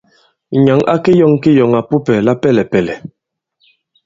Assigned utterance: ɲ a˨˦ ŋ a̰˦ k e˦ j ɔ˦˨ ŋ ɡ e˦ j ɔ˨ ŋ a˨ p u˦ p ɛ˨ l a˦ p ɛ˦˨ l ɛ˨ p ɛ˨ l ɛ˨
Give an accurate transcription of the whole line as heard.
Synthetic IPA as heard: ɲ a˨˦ ŋ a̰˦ k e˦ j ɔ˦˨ ŋ k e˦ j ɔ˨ ŋ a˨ p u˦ p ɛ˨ l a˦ p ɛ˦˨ l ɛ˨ p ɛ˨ l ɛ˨